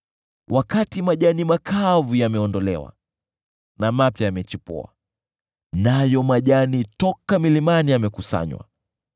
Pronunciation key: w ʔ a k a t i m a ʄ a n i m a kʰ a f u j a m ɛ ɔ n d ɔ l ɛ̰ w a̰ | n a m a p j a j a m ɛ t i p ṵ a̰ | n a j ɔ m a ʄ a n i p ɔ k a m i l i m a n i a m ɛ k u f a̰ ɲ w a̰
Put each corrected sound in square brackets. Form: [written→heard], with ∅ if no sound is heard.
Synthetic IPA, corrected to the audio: w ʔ a k a t i m a ʄ a n i m a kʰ a [f→v] u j a m ɛ ɔ n d ɔ l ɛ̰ w a̰ | n a m a p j a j a m ɛ [t→t͡ʃ] i p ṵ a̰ | n a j ɔ m a ʄ a n i [p→t] ɔ k a m i l i m a n i a m ɛ k u [f→s] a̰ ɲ w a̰